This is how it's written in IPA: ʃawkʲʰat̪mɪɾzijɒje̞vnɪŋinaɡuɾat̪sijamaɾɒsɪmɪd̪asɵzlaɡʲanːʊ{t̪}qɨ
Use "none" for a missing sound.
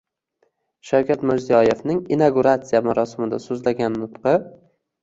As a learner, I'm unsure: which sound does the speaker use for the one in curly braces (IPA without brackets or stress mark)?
t̪